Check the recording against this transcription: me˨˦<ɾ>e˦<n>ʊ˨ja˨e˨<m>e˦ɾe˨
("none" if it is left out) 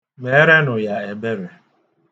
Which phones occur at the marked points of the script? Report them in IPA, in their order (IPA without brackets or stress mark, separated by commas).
ɾ, n, b